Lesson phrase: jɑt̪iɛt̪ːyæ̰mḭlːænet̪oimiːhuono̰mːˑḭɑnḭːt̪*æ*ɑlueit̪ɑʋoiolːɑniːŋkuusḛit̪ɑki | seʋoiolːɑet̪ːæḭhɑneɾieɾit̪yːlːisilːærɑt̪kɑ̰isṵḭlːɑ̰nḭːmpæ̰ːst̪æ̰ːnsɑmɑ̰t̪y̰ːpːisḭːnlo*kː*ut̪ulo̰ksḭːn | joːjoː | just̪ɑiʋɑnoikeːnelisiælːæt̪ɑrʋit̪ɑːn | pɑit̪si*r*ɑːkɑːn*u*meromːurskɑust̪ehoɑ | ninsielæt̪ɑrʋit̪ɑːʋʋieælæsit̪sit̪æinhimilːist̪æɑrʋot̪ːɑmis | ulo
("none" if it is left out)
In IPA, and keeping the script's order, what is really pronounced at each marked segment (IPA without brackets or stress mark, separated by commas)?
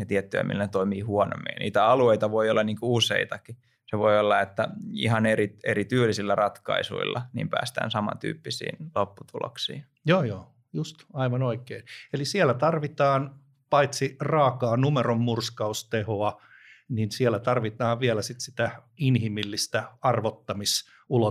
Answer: æ, pː, r, u